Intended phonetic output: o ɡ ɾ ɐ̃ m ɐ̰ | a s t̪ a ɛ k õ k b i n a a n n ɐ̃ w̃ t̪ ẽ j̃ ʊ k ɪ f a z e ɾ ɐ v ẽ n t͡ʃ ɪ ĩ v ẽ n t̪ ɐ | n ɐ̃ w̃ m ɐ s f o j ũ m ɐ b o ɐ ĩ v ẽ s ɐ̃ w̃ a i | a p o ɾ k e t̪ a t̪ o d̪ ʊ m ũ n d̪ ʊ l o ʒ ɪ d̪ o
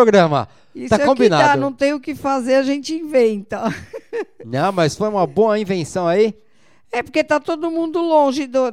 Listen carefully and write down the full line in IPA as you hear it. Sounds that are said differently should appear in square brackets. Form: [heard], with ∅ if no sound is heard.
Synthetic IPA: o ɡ ɾ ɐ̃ m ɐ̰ | [i] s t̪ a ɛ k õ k b i n a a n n ɐ̃ w̃ t̪ ẽ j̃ ʊ k ɪ f a z e ɾ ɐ [ʒ] ẽ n t͡ʃ ɪ ĩ v ẽ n t̪ ɐ | n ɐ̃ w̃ m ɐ s f o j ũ m ɐ b o ɐ ĩ v ẽ s ɐ̃ w̃ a i | [ɛ] p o ɾ k e t̪ a t̪ o d̪ ʊ m ũ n d̪ ʊ l [õ] ʒ ɪ d̪ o